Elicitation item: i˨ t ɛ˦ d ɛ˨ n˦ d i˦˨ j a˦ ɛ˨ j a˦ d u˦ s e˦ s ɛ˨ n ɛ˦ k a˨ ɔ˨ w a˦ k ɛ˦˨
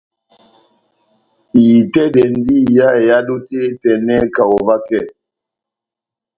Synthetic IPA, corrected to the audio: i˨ t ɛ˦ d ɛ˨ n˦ d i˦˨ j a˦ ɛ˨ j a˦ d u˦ t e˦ t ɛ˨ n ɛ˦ k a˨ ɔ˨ v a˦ k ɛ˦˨